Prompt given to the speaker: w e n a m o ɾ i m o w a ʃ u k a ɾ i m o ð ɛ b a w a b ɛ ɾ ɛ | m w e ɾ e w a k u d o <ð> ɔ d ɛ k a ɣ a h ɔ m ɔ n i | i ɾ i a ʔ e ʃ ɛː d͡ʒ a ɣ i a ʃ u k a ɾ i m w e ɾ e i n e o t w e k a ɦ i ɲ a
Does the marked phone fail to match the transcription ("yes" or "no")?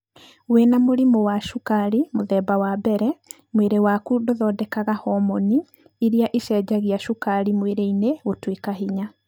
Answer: no